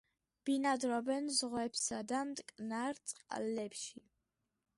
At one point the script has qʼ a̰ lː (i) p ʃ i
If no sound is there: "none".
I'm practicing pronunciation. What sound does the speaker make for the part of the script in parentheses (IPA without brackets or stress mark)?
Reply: ɛ